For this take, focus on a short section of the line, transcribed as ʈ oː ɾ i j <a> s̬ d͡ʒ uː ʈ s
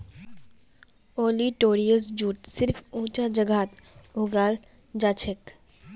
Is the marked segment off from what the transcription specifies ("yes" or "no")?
yes